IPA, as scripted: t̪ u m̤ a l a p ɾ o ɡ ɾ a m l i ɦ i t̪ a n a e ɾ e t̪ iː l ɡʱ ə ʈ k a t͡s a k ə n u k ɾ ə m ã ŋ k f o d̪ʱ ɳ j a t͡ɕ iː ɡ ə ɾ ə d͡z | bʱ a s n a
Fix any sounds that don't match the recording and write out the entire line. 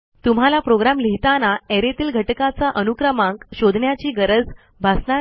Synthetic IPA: t̪ u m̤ a l a p ɾ o ɡ ɾ a m l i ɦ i t̪ a n a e ɾ e t̪ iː l ɡʱ ə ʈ k a t͡s a ʔ ə n u k ɾ ə m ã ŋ k ɕ o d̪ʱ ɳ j a t͡ɕ iː ɡ ə ɾ ə d͡z | bʱ a s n a